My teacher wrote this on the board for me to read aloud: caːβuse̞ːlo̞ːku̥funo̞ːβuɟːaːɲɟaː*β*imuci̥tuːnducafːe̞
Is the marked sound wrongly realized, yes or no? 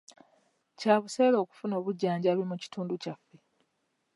no